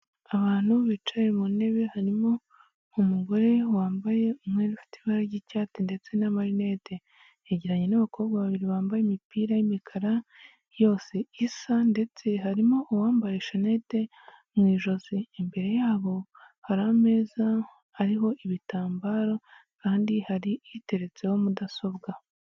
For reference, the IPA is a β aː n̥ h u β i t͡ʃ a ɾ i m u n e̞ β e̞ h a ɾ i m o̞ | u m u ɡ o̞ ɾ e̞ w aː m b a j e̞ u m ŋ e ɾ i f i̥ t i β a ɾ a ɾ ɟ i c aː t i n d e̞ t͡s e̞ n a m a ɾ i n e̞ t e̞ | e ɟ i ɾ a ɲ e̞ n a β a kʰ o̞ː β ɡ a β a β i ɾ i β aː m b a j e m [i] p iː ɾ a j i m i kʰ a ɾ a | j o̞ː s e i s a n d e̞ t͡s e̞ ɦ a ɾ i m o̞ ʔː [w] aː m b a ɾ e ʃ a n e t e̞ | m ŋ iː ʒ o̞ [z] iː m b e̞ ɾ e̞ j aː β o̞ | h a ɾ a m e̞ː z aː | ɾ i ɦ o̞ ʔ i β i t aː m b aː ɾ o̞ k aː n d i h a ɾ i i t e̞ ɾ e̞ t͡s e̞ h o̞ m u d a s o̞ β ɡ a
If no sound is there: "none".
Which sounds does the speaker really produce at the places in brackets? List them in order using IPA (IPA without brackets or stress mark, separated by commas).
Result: i, w, z